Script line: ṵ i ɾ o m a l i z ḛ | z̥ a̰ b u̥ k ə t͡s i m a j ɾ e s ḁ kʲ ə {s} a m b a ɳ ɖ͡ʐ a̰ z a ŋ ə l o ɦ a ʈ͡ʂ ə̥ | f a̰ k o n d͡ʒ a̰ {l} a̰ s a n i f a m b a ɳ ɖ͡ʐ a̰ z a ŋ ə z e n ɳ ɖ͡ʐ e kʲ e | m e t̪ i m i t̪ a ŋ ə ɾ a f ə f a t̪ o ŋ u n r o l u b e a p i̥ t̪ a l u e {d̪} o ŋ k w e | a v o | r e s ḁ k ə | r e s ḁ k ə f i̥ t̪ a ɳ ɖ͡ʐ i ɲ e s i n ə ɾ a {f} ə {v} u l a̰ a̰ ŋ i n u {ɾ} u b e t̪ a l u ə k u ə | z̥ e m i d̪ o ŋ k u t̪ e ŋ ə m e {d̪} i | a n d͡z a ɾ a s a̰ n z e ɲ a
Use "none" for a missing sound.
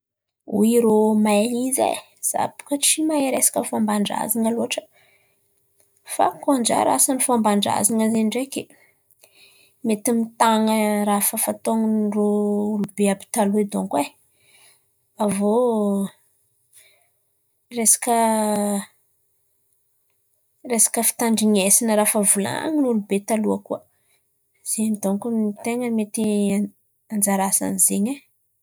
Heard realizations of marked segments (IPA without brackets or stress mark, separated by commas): f, ɾ, d̪, f, v, l, t̪